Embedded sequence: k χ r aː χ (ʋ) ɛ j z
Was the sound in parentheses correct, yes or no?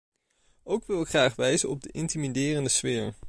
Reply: yes